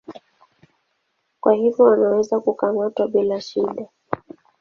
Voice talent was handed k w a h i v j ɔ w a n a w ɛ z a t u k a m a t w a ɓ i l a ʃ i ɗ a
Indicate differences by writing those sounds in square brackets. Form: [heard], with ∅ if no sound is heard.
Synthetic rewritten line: k w a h i v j ɔ w a n a w ɛ z a [k] u k a m a t w a ɓ i l a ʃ i ɗ a